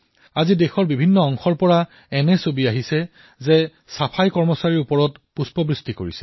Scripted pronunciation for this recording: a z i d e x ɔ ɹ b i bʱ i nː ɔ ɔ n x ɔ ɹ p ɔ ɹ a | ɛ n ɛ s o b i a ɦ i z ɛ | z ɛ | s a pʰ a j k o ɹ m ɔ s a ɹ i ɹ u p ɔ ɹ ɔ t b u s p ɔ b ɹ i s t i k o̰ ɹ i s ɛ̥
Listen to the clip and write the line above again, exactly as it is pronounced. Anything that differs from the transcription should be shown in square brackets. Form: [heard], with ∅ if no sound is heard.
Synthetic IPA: a z i d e x ɔ ɹ b i bʱ i nː ɔ ɔ [ŋ] x ɔ ɹ p ɔ ɹ a | ɛ n ɛ s o b i a ɦ i [s] ɛ | z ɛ | s a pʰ a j k [ɔ] ɹ m ɔ s a ɹ i ɹ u p ɔ ɹ ɔ t [p] u s p ɔ b ɹ i s t i k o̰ ɹ i s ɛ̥